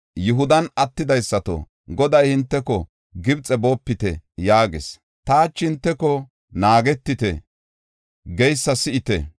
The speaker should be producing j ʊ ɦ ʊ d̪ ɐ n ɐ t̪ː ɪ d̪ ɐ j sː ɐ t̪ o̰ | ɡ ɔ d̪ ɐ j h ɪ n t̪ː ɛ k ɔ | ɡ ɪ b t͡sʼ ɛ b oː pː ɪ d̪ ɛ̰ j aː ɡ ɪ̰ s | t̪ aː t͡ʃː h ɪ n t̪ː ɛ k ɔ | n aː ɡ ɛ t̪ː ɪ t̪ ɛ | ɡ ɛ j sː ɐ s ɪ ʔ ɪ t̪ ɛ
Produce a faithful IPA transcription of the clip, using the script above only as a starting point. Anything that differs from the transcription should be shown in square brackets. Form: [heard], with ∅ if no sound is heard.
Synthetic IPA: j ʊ ɦ ʊ d̪ ɐ n ɐ t̪ː ɪ d̪ ɐ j sː ɐ t̪ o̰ | ɡ ɔ d̪ ɐ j h ɪ n t̪ː ɛ k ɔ | ɡ ɪ b t͡sʼ ɛ b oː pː ɪ [t̪] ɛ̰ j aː ɡ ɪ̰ s | t̪ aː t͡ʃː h ɪ n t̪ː ɛ k ɔ | n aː ɡ ɛ t̪ː ɪ t̪ ɛ | ɡ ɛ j sː ɐ s ɪ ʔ ɪ t̪ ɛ